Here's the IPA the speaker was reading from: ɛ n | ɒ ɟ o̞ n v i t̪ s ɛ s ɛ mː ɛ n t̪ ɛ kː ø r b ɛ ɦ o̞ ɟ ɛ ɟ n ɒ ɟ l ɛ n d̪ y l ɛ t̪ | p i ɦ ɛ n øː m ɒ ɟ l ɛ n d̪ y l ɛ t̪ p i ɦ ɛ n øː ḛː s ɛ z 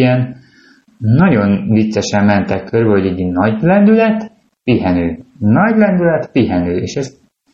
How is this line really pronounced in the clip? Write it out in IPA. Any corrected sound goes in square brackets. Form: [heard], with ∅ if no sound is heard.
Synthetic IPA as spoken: ɛ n | ɒ ɟ o̞ n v i t̪ s ɛ [ʃ] ɛ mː ɛ n t̪ ɛ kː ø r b ɛ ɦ o̞ ɟ ɛ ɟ n ɒ ɟ l ɛ n d̪ y l ɛ t̪ | p i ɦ ɛ n øː [n] ɒ ɟ l ɛ n d̪ y l ɛ t̪ p i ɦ ɛ n øː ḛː [ʃ] ɛ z